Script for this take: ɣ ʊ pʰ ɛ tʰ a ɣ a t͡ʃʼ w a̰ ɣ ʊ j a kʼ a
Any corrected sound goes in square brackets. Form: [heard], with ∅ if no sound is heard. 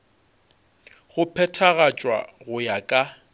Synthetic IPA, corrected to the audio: ɣ ʊ pʰ ɛ tʰ a ɣ a t͡ʃʼ w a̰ ɣ ʊ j a kʼ a